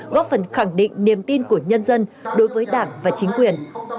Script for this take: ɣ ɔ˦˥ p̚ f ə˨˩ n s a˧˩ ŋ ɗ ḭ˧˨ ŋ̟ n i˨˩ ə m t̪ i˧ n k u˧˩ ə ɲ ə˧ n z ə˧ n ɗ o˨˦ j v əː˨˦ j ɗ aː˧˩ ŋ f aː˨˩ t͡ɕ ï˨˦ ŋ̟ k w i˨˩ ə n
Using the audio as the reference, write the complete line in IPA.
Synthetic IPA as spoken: ɣ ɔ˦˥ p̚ f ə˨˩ n x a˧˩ ŋ ɗ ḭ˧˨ ŋ̟ n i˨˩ ə m t̪ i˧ n k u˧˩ ə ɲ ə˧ n z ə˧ n ɗ o˨˦ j v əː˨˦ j ɗ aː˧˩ ŋ v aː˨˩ t͡ɕ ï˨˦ ŋ̟ k w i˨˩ ə n

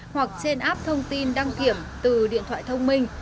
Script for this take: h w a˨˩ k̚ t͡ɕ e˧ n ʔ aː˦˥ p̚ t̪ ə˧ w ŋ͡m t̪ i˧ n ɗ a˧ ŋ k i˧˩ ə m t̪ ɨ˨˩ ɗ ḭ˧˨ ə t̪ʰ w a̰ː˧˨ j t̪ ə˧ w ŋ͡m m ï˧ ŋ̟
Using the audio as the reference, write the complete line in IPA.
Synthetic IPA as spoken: h w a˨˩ k̚ t͡ɕ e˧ n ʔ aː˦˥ p̚ t̪ʰ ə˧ w ŋ͡m t̪ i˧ n ɗ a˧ ŋ k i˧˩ ə m t̪ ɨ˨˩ ɗ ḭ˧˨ ə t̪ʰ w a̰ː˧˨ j t̪ʰ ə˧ w ŋ͡m m ï˧ ŋ̟

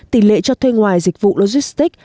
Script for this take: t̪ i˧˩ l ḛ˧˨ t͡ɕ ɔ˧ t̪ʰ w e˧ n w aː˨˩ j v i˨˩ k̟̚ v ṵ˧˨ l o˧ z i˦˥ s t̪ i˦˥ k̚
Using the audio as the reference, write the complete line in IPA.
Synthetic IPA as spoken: t̪ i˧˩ l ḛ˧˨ t͡ɕ ɔ˧ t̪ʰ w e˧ ŋ w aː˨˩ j z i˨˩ k̟̚ v ṵ˧˨ l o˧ z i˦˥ s t̪ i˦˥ k̚

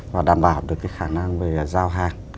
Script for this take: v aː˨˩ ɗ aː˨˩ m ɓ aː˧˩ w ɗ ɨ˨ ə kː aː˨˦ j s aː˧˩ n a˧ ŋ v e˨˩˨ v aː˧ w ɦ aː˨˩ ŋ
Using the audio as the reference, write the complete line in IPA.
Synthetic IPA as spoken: v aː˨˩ ɗ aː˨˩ m ɓ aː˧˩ w ɗ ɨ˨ ə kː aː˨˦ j x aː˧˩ n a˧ ŋ v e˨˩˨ z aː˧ w ɦ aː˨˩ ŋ

